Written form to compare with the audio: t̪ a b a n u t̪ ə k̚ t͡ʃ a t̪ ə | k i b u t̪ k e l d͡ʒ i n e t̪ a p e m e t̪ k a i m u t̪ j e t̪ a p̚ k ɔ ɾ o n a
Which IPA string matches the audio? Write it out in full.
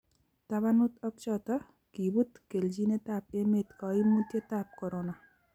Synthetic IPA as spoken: t̪ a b a n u t̪ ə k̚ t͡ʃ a t̪ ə | k i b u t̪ k e l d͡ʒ i n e t̪ a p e m e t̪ k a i m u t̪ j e t̪ a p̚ k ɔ ɾ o n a